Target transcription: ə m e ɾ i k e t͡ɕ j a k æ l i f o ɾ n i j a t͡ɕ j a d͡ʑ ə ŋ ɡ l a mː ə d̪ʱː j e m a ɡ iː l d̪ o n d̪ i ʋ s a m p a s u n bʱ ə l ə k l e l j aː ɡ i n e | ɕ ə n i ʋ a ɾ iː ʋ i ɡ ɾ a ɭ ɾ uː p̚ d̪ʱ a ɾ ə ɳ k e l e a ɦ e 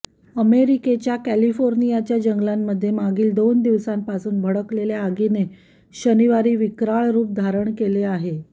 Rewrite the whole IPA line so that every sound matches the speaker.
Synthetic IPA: ə m e ɾ i k e t͡ɕ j a k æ l i f o ɾ n i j a t͡ɕ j a d͡ʑ ə ŋ ɡ l a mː ə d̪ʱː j e m a ɡ iː l d̪ o n d̪ i ʋ s a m p a s uː n bʱ ə ɽ ə k l e l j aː ɡ i n e | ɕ ə n i ʋ a ɾ iː ʋ i k ɾ a ɭ ɾ uː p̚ d̪ʱ a ɾ ə ɳ k e l e a ɦ e

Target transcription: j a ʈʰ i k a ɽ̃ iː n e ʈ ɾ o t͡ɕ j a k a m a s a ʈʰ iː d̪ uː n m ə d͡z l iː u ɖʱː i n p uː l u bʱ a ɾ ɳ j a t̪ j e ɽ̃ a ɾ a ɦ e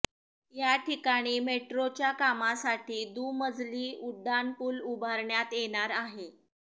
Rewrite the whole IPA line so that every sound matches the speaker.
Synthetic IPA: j a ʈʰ i k a ɽ̃ iː m e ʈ ɾ o t͡ɕ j a k a m a s a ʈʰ iː d̪ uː m ə d͡z l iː u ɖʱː a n p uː l u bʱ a ɾ ɳ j a t̪ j e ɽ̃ a ɾ a ɦ e

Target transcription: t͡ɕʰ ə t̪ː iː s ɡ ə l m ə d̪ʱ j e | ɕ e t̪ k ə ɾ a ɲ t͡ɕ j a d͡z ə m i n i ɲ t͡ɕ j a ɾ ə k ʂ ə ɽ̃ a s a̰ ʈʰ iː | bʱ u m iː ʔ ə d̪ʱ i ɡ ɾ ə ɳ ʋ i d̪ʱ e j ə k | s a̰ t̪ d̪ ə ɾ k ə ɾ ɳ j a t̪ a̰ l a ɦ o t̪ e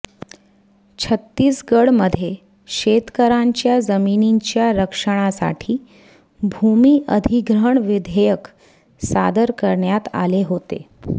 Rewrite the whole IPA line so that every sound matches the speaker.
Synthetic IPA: t͡ɕʰ ə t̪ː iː s ɡ ə ɽ m ə d̪ʱ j e | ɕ e t̪ k ə ɾ a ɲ t͡ɕ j a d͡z ə m i n i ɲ t͡ɕ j a ɾ ə k ʂ ə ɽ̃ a s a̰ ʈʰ iː | bʱ u m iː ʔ ə d̪ʱ i ɡ ɾ ə ɳ ʋ i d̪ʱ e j ə k | s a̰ d̪ ə ɾ k ə ɾ ɳ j a t̪ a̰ l e ɦ o t̪ e

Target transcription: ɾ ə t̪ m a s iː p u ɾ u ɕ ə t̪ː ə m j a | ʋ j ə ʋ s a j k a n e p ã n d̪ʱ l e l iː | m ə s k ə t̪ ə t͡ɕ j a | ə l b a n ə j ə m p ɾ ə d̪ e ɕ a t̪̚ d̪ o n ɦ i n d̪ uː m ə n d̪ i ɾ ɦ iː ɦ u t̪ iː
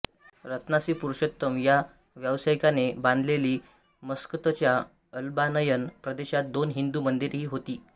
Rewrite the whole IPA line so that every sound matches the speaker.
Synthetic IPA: ɾ ə t̪ n a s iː p u ɾ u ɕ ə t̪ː ə m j a | ʋ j ə ʋ s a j k a n e b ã n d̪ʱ l e l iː | m ə s k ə t̪ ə t͡ɕ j a | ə l b a n ə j ə n p ɾ ə d̪ e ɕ a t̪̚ d̪ o n ɦ i n d̪ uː m ə n d̪ i ɾ ɦ iː ɦ o t̪ iː

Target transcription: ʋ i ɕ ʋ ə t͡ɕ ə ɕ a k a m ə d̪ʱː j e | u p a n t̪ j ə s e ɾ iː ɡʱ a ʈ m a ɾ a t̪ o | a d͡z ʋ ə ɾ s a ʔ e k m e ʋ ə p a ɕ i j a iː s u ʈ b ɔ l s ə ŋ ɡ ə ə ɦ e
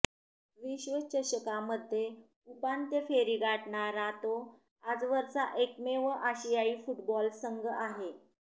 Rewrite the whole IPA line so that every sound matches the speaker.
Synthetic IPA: ʋ i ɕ ʋ ə t͡ɕ ə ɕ ə k a m ə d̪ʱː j e | u p a n t̪ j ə f e ɾ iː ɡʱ a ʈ ɳ a ɾ a t̪ o | a d͡z ʋ ə ɾ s a ʔ e k m e ʋ ə ʔ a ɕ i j a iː f u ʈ b ɔ l s ə ŋ ɡ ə a ɦ e

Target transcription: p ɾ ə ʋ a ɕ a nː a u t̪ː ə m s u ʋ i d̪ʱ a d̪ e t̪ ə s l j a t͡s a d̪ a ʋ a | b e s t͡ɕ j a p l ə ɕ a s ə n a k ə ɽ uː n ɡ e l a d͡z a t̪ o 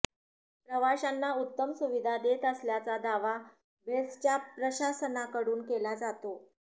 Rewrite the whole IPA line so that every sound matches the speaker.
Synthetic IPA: p ɾ ə ʋ a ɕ a nː a u t̪ː ə m s u ʋ i d̪ʱ a d̪ e t̪ ə s l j a t͡s a d̪ a ʋ a | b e s t͡ɕ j a p ɾ ə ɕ a s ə n a k ə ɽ uː n k e l a d͡z a t̪ o

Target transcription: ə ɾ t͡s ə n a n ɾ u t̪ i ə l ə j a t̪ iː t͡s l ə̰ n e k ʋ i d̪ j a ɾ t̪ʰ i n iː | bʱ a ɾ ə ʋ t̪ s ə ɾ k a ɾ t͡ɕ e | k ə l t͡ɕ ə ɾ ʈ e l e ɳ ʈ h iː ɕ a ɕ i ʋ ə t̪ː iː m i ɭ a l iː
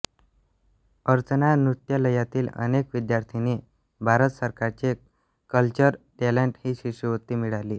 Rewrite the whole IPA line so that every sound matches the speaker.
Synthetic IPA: ə ɾ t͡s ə n a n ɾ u t̪ j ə l ə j a t̪ iː l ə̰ n e k ʋ i d̪ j a ɾ t̪ʰ i n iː | bʱ a ɾ ə t̪ s ə ɾ k a ɾ t͡ɕ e | k ə l t͡ɕ ə ɾ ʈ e l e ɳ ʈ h iː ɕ i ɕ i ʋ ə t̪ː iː m i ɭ a l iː

